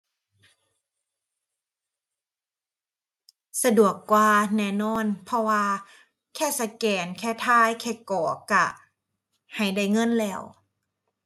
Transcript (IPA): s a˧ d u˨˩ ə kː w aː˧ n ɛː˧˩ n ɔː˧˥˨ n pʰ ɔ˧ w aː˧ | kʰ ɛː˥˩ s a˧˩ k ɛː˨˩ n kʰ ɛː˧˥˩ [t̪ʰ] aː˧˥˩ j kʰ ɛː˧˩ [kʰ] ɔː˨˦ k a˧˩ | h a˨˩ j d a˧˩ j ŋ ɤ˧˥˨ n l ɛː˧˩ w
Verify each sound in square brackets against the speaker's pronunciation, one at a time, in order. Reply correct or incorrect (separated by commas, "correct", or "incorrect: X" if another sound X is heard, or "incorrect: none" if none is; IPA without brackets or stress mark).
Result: correct, incorrect: k